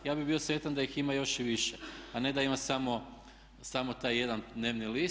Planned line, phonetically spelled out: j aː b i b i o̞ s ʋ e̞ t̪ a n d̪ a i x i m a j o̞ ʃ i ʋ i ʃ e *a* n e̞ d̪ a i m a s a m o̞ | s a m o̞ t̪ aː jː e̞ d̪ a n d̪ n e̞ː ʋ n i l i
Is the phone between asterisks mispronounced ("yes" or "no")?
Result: no